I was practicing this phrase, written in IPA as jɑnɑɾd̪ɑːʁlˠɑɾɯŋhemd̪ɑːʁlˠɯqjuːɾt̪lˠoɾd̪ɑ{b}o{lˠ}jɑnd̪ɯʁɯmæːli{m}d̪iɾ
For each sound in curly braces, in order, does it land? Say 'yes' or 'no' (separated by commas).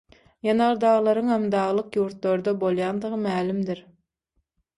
yes, yes, yes